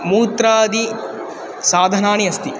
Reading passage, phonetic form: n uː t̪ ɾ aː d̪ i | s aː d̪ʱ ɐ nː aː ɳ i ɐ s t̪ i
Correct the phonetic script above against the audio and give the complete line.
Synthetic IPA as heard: m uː t̪ ɾ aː d̪ i | s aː d̪ʱ ɐ n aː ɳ i ɐ s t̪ i